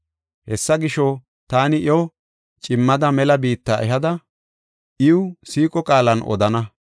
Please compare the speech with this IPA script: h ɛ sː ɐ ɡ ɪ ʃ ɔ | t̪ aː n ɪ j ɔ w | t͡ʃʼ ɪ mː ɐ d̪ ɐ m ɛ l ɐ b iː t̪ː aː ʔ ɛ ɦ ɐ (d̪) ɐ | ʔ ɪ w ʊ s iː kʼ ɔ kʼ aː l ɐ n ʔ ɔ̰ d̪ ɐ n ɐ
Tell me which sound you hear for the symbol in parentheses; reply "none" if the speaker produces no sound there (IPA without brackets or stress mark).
d̪